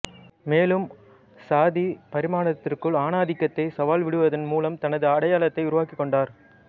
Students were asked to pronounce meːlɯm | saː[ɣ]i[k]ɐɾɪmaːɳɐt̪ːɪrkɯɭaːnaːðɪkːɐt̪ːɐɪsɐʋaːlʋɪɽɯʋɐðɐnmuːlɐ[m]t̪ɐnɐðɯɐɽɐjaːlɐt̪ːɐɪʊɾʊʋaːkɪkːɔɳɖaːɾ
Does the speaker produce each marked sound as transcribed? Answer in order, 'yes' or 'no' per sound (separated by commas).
no, no, yes